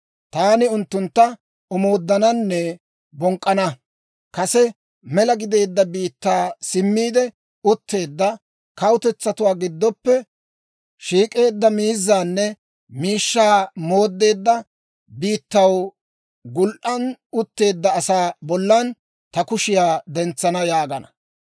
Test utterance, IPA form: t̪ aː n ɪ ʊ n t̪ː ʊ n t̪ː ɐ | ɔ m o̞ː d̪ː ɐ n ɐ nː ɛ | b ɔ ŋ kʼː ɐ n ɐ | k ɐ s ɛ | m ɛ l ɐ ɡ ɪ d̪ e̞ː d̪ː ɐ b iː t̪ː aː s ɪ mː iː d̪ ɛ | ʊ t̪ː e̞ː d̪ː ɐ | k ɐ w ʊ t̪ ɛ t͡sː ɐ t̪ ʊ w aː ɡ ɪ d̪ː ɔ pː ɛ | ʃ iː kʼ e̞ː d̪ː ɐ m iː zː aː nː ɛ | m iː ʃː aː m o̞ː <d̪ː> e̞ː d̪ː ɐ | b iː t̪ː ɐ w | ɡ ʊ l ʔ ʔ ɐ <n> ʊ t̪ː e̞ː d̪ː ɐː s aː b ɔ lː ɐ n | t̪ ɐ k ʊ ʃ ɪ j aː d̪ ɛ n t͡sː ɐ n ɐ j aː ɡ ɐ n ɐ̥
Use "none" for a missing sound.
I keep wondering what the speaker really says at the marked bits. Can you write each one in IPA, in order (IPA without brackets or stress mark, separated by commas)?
d̪ː, n